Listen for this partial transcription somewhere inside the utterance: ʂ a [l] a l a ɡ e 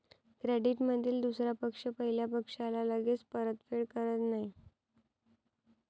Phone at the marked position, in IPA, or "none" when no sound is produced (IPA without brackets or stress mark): l